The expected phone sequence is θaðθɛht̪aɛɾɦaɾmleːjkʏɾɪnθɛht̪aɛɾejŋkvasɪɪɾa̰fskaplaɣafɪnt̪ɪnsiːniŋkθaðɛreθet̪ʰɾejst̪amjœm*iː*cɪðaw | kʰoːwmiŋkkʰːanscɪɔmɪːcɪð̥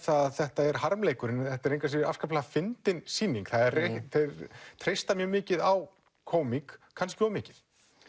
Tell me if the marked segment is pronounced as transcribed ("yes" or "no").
no